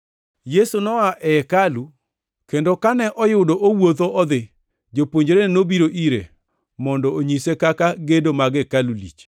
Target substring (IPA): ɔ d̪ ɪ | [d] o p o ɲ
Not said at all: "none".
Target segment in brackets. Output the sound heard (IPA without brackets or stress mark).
d͡ʒ